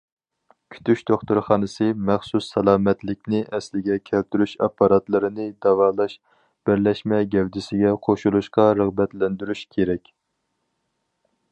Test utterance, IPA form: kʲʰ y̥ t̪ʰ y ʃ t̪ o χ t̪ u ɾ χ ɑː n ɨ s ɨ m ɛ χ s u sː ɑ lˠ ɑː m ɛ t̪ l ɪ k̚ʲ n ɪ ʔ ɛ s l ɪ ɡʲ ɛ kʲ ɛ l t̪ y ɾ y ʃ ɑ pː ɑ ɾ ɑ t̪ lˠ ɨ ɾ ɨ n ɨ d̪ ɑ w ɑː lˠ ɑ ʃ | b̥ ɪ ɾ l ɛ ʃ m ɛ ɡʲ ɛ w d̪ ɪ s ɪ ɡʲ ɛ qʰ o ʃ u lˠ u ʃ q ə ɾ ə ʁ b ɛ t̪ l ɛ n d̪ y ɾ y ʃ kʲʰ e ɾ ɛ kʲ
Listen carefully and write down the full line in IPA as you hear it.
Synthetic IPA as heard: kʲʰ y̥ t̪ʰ y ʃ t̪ o χ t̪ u ɾ χ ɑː n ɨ s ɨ m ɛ χ s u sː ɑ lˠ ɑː m ɛ t̪ l ɪ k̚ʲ n ɪ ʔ ɛ s l ɪ ɡʲ ɛ kʲʰ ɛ l t̪ y ɾ y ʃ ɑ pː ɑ ɾ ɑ t̪ lˠ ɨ ɾ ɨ n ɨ d̪ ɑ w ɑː lˠ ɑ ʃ | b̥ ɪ ɾ l ɛ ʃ m ɛ ɡʲ ɛ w d̪ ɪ s ɪ ɡʲ ɛ qʰ o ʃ u lˠ u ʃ q ɑ ɾ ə ʁ b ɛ t̪ l ɛ n d̪ y ɾ y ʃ kʲʰ e ɾ ɛ kʲ